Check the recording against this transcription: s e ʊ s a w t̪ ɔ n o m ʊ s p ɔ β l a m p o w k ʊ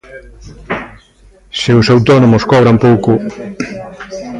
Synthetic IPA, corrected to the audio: s e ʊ s a w t̪ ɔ n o m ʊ s k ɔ β ɾ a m p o w k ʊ

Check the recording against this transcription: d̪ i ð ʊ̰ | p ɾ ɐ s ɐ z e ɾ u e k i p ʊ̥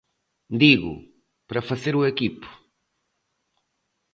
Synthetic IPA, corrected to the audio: d̪ i ɣ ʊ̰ | p ɾ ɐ f ɐ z e ɾ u e k i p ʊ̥

